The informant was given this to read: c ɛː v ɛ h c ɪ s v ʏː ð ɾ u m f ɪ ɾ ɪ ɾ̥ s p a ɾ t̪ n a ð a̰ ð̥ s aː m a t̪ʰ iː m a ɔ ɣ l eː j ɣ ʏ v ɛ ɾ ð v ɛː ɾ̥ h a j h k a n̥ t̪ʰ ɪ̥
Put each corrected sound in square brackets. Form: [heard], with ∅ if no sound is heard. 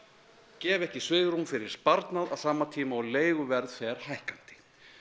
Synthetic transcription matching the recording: c ɛː v ɛ h c ɪ s v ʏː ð ɾ u m f ɪ ɾ ɪ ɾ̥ s p a ɾ t̪ n a ð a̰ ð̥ s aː m a t̪ʰ iː m a ɔ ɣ l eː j ɣ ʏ v ɛ ɾ ð [f] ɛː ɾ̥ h a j h k a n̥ [t̪] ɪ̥